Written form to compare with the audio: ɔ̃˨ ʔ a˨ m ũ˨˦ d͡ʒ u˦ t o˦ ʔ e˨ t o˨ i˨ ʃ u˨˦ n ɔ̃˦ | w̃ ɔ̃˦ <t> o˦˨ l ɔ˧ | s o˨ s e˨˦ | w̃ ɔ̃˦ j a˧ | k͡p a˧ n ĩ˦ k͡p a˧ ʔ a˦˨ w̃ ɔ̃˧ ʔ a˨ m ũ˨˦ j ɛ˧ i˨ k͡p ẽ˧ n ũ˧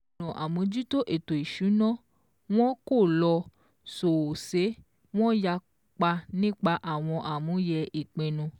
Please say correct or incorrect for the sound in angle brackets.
incorrect: k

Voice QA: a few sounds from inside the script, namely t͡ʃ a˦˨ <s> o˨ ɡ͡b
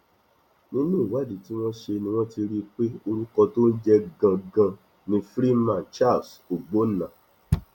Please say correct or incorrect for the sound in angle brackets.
correct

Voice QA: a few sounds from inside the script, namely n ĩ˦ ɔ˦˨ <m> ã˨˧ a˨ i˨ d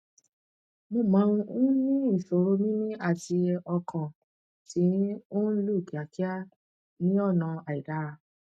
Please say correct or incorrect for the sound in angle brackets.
incorrect: n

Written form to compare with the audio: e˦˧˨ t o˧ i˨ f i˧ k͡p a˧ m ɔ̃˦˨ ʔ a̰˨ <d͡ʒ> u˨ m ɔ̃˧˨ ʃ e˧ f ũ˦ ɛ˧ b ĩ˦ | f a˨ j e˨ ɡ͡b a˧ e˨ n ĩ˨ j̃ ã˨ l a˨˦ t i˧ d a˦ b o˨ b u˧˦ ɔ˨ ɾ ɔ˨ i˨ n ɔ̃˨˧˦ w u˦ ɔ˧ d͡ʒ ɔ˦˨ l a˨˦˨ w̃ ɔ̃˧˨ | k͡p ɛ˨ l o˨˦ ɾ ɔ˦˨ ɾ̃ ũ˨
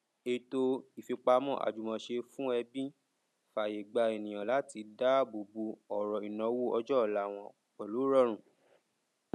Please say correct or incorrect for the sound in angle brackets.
correct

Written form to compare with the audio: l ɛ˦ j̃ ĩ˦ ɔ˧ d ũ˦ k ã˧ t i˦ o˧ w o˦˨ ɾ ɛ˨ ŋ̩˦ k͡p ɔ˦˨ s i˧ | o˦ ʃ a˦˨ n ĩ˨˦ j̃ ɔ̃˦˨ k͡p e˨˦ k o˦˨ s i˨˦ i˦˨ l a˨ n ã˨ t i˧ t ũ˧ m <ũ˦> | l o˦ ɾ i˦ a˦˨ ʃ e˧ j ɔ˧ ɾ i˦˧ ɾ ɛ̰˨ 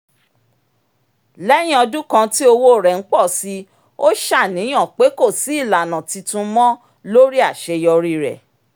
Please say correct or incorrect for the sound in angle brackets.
incorrect: ɔ̃˦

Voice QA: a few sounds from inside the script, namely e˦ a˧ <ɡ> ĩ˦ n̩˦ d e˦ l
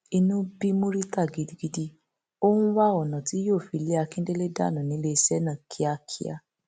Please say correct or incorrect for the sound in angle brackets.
incorrect: k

